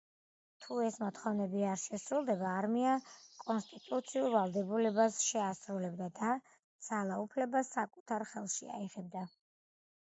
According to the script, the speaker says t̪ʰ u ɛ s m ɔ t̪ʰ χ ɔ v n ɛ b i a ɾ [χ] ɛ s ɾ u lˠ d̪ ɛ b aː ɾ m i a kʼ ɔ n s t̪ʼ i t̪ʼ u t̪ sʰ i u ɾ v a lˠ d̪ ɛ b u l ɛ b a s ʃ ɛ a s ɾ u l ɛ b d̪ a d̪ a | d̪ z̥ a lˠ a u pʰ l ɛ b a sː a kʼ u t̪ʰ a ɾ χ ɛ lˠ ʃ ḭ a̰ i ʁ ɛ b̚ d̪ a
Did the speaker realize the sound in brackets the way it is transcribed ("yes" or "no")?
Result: no